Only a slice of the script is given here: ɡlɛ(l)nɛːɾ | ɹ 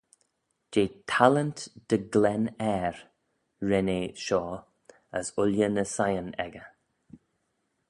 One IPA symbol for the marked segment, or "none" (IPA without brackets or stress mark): none